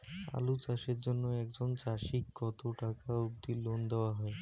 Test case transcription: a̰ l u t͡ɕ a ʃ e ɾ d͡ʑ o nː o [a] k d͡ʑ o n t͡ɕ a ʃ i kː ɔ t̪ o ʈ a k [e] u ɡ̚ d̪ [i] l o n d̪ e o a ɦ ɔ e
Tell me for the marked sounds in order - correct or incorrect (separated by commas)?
incorrect, incorrect, correct